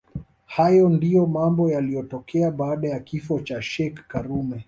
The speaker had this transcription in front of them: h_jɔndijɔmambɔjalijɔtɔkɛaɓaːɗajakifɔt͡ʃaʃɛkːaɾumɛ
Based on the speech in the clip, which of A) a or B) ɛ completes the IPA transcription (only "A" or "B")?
A